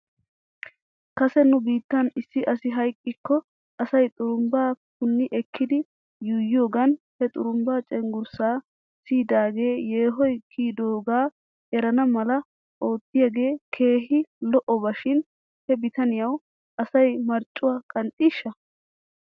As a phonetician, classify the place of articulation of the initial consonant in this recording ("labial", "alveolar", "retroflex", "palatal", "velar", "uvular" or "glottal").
velar